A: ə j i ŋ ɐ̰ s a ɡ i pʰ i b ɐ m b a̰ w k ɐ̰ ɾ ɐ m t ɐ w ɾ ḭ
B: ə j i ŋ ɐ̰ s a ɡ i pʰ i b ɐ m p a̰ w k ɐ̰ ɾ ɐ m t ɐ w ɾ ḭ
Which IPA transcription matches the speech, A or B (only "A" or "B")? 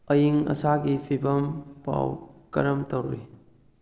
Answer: B